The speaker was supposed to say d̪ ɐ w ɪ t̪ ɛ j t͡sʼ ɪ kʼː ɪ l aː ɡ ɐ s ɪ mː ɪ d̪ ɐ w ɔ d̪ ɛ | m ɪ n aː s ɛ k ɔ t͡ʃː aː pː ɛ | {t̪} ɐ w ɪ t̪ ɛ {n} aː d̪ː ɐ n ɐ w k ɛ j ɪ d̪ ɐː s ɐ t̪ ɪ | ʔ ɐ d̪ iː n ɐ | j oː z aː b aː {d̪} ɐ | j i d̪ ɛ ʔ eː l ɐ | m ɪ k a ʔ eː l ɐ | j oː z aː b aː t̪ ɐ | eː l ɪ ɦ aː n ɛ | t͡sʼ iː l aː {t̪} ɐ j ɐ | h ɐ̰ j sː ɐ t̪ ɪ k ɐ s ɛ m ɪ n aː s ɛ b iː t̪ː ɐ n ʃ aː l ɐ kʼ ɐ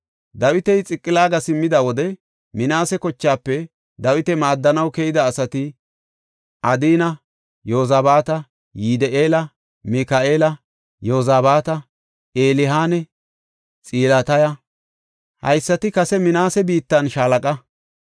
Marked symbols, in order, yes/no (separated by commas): no, no, no, yes